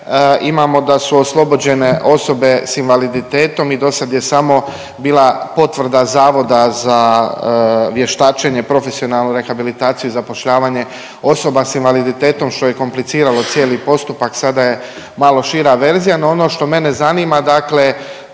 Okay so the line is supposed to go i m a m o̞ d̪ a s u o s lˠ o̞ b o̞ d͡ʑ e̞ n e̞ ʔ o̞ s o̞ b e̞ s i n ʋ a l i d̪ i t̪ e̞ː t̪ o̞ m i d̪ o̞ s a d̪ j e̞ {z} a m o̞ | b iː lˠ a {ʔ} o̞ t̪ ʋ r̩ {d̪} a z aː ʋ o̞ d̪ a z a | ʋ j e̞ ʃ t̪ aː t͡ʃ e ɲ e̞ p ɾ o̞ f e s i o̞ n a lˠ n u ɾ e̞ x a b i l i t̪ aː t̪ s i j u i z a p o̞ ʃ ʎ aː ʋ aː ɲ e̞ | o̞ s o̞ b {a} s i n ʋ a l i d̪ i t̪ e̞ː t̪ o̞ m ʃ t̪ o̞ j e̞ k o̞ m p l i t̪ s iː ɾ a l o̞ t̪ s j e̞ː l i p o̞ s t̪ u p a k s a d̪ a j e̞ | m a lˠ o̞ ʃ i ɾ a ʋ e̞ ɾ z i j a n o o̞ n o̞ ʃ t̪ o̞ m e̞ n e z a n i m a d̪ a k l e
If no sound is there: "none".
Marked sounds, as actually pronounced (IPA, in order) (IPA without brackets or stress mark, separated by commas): s, p, d̪, a